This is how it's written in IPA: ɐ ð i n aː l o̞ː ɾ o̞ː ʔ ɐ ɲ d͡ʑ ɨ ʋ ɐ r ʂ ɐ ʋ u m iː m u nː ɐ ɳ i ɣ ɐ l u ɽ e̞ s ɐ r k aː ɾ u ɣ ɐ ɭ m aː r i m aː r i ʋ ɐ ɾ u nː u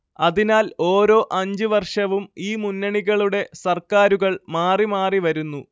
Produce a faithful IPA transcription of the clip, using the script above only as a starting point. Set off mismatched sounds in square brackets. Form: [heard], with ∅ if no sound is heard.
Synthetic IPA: ɐ ð i n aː l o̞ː ɾ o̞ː ʔ ɐ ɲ d͡ʑ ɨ ʋ ɐ r ʂ ɐ ʋ u m iː m u nː ɐ ɳ i ɣ ɐ [ɭ] u ɽ e̞ s ɐ r k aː ɾ u ɣ ɐ ɭ m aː r i m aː r i ʋ ɐ ɾ u nː u